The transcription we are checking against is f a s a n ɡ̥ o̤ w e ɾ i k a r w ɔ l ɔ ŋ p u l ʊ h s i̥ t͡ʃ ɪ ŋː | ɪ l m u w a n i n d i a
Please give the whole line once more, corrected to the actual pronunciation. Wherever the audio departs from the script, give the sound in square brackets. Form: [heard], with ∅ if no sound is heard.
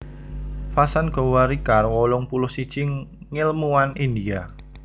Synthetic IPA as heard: f a s a n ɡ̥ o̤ w [a] ɾ i k a r w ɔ l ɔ ŋ p u l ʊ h s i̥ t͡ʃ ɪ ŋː | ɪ l m u w a n i n d i a